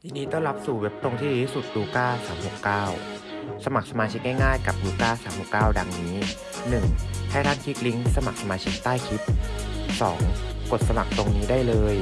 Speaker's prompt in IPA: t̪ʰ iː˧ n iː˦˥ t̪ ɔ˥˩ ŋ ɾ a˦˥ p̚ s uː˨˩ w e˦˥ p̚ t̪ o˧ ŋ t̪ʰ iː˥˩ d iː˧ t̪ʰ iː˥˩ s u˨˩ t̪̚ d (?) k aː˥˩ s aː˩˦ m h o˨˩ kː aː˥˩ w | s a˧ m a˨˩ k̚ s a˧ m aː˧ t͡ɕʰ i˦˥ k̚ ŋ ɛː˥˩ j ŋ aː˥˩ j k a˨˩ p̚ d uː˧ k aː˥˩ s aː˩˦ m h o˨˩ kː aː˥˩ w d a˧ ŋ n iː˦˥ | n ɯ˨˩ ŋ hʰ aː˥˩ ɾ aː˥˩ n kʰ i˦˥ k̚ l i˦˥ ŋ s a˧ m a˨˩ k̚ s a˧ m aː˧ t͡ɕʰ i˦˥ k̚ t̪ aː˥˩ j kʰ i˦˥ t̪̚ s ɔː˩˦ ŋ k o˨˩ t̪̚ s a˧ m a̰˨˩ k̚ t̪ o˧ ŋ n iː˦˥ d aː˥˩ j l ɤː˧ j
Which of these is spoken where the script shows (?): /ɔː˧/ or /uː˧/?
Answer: uː˧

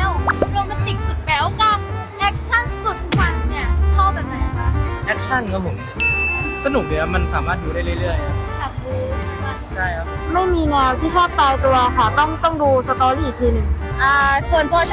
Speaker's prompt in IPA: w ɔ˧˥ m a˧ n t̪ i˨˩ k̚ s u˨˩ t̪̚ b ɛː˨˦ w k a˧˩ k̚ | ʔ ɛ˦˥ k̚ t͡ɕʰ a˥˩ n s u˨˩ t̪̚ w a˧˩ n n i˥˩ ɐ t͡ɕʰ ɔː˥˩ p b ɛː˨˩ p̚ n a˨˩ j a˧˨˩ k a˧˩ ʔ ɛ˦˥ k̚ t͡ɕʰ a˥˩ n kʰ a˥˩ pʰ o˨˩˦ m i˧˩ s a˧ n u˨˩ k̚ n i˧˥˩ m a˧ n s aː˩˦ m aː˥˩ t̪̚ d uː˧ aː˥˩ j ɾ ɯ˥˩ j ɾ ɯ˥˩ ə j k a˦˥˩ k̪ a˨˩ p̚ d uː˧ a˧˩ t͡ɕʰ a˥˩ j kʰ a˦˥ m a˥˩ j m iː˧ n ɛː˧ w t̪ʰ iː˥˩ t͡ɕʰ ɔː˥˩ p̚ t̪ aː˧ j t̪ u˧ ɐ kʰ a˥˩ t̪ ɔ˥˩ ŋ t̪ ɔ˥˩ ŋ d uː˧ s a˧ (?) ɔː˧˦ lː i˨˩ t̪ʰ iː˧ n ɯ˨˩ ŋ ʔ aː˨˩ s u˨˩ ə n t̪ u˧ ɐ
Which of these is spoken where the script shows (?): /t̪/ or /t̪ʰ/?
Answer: t̪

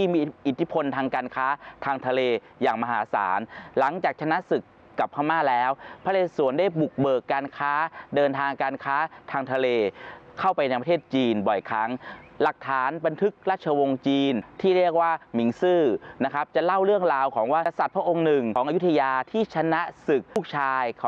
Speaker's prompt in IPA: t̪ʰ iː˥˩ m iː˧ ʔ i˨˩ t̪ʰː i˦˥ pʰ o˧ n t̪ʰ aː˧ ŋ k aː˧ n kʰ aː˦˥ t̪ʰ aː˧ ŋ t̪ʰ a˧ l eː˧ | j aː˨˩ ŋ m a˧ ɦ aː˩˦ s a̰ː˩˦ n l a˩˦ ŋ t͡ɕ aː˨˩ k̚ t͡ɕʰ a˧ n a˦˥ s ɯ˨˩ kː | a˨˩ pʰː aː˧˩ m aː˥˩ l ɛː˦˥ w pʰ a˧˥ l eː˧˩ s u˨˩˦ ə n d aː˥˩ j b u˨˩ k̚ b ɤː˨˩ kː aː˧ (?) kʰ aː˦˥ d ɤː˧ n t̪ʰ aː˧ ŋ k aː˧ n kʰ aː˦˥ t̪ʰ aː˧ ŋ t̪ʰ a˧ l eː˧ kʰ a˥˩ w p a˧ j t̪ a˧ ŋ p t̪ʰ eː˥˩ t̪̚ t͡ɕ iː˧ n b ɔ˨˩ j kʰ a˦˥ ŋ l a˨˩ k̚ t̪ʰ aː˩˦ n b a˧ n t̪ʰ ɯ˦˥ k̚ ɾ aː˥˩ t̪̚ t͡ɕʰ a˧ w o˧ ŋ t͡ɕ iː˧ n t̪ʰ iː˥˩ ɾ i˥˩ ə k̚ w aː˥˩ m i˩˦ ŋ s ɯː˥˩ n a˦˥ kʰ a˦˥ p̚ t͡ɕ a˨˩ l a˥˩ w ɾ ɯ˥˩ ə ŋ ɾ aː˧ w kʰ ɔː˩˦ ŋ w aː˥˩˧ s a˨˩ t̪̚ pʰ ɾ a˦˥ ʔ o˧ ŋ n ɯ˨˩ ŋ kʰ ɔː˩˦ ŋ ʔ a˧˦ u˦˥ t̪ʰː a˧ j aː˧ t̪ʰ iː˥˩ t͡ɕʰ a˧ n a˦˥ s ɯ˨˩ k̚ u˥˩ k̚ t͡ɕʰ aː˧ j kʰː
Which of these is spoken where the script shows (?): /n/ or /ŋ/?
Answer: n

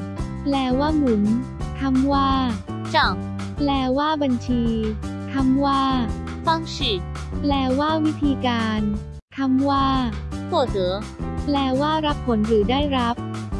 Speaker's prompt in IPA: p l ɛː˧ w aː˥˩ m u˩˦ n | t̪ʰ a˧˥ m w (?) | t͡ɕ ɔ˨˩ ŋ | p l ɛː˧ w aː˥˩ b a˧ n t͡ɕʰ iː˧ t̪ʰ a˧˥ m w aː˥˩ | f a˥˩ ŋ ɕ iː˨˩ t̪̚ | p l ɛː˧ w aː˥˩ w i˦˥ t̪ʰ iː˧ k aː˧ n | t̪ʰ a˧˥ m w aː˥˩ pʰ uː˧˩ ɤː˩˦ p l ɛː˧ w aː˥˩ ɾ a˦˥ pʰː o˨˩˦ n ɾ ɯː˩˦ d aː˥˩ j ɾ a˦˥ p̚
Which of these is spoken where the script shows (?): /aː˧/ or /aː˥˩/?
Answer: aː˥˩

